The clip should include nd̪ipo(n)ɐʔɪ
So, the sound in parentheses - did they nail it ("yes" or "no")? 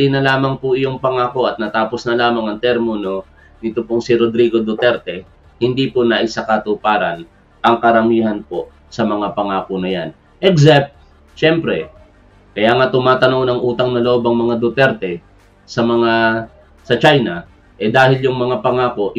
yes